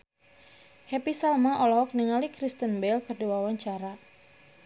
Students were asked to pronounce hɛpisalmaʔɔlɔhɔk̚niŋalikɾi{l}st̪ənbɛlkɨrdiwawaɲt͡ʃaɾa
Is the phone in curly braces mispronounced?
yes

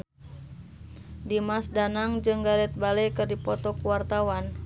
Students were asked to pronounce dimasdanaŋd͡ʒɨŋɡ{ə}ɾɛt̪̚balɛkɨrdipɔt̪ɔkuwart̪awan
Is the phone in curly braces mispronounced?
yes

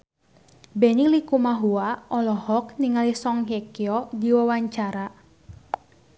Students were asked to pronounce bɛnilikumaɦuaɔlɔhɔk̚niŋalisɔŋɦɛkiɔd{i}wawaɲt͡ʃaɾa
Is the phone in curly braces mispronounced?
no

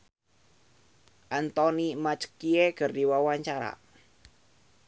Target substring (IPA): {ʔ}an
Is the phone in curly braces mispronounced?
no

